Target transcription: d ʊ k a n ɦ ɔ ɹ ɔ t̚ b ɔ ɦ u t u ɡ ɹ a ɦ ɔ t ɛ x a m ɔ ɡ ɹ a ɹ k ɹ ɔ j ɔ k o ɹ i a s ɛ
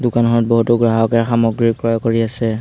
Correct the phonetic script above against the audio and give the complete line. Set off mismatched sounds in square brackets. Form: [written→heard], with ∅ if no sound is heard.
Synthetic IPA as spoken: d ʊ k a n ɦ ɔ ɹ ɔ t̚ b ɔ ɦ u t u ɡ ɹ a ɦ ɔ [t→k] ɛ x a m ɔ ɡ ɹ [a→i] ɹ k ɹ ɔ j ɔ k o ɹ i a s ɛ

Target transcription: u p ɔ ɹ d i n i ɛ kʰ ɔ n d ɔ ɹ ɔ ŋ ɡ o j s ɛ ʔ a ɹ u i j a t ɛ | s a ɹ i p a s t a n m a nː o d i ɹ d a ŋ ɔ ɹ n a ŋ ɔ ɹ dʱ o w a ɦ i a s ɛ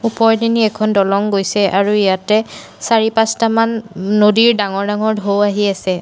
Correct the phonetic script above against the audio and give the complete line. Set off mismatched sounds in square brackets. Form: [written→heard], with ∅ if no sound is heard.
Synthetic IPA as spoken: u p ɔ ɹ d i n i ɛ kʰ ɔ n d ɔ [ɹ→l] ɔ ŋ ɡ o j s ɛ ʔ a ɹ u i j a t ɛ | s a ɹ i p a s t a [n→∅] m a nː o d i ɹ d a ŋ ɔ ɹ [n→d] a ŋ ɔ ɹ dʱ o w a ɦ i a s ɛ

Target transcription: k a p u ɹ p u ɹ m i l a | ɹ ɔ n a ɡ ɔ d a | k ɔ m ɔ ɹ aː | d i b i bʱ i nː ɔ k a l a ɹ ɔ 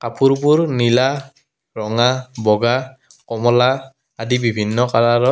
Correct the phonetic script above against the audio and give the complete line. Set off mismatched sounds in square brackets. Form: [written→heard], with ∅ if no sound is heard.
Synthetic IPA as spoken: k a p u ɹ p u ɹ [m→n] i l a | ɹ ɔ [n→ŋ] a [ɡ→b] ɔ [d→ɡ] a | k ɔ m ɔ [ɹ→l] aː | d i b i bʱ i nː ɔ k a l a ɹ ɔ

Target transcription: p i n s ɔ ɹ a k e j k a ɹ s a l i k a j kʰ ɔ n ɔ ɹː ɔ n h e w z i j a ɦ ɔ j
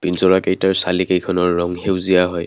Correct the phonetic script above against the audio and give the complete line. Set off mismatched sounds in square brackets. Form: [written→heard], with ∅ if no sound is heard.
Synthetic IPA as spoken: p i n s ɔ ɹ a k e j [k→t] a ɹ s a l i k [a→e] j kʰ ɔ n ɔ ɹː ɔ [n→ŋ] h e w z i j a ɦ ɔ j

